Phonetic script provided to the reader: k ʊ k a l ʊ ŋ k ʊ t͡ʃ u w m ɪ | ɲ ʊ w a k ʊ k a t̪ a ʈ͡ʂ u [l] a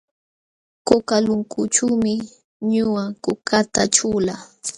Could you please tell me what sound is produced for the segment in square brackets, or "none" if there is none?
l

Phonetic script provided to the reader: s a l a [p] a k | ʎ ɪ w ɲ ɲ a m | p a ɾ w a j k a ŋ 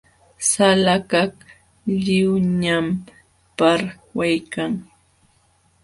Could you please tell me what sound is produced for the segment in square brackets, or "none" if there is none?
k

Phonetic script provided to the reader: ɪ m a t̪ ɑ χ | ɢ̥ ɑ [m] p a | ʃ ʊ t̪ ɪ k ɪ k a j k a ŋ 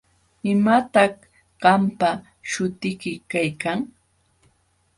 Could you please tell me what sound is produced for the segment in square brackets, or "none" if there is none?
m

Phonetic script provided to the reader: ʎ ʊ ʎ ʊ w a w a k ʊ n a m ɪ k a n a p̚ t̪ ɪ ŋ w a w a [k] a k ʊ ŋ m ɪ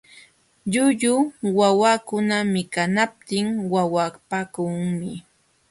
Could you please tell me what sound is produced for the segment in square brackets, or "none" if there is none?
p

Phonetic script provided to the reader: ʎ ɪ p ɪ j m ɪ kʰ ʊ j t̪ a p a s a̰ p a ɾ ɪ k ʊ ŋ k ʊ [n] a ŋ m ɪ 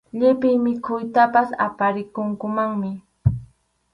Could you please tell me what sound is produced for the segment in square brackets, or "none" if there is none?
m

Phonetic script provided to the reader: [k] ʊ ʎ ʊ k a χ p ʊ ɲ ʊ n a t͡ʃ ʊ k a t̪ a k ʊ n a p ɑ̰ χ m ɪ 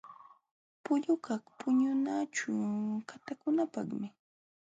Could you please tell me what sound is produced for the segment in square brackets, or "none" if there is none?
p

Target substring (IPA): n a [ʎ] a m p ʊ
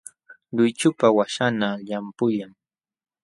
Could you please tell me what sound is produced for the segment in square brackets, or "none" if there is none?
ʎ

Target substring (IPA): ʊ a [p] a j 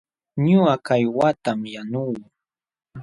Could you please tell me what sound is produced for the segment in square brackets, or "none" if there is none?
k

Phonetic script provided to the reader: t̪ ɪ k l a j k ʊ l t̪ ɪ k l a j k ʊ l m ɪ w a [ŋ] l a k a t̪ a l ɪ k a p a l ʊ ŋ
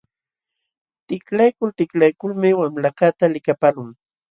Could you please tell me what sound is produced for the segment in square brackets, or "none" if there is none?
m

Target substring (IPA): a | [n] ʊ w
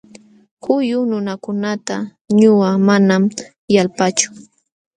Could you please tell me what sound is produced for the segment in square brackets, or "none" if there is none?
ɲ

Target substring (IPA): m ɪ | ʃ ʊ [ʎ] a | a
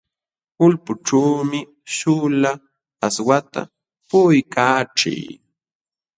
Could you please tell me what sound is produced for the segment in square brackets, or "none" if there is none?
l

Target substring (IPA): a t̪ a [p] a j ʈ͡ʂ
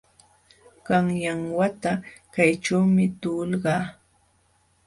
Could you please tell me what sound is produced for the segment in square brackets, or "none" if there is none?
k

